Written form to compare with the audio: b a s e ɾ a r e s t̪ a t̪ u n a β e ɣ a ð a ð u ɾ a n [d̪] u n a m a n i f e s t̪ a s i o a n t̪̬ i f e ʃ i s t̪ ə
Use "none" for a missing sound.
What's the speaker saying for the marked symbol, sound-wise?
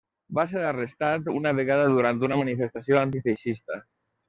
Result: t̪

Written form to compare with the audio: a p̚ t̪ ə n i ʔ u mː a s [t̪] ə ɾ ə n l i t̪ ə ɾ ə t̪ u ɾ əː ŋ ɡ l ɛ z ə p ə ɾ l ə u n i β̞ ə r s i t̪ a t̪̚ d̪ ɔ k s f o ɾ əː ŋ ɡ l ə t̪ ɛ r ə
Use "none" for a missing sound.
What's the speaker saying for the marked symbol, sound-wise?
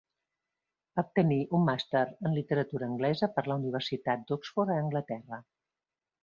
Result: t̪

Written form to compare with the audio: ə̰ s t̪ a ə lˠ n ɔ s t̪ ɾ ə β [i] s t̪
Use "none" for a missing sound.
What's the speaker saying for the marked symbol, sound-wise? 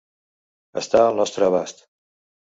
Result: a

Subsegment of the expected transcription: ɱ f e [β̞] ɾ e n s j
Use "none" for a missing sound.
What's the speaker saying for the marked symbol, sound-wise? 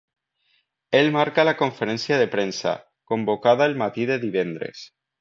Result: none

